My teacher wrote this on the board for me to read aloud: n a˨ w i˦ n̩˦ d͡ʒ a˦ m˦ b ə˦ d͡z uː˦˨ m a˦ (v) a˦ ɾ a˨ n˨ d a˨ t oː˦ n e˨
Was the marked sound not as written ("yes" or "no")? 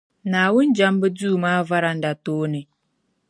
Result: no